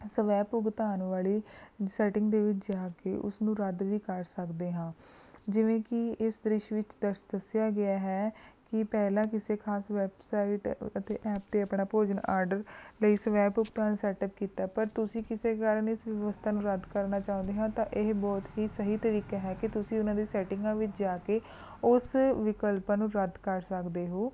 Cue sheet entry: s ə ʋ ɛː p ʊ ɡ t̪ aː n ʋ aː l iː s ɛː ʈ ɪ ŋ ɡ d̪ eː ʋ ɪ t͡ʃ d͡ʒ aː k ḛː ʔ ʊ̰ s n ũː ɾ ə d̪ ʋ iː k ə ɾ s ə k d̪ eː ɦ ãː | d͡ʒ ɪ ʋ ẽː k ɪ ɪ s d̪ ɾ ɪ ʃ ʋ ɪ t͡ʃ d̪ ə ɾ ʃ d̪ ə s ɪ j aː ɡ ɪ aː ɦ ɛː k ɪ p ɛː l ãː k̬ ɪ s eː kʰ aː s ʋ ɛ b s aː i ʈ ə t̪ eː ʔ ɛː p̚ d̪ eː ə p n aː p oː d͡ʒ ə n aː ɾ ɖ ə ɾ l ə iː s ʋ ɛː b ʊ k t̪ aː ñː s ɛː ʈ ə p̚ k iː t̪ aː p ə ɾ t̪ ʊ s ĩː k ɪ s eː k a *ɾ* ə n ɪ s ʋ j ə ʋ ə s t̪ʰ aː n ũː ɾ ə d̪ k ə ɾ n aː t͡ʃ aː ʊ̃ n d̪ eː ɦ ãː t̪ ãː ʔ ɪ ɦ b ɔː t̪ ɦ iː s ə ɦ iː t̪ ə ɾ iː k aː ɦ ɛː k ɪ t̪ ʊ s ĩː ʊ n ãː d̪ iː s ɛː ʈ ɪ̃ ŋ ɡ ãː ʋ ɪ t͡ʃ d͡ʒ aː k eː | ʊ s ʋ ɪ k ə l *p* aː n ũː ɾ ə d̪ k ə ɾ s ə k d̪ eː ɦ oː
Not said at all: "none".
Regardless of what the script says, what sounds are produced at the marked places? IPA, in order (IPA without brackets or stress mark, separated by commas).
ɾ, p